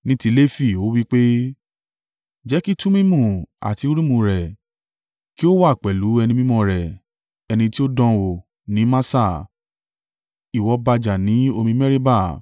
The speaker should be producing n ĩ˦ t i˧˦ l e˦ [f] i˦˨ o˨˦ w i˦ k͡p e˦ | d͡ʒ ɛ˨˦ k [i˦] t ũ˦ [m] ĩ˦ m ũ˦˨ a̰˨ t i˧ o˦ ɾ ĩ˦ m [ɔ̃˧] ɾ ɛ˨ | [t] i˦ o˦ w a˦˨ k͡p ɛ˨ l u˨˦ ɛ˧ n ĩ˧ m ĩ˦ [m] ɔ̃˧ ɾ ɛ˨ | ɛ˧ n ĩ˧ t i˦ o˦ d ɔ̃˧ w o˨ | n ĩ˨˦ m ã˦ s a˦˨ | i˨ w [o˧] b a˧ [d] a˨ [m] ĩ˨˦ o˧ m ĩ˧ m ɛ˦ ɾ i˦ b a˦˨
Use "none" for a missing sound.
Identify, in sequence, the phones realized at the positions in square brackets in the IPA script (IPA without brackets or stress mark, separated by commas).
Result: f, i˦, m, ũ˧, k, m, ɔ˧, d͡ʒ, n